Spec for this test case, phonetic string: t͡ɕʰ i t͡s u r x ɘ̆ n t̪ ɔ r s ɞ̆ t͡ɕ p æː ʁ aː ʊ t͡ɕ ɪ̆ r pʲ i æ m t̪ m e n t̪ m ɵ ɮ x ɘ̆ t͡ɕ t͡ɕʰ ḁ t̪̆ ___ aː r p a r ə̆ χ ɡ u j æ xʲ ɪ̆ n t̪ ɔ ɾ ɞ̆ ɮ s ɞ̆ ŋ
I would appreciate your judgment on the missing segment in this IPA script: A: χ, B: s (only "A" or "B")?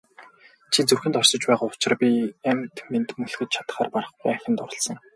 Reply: A